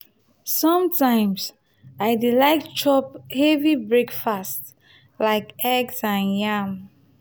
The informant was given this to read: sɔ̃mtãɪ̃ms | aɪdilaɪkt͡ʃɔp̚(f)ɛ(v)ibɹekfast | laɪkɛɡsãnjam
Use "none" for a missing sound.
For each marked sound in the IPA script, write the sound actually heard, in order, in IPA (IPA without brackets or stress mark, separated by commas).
h, v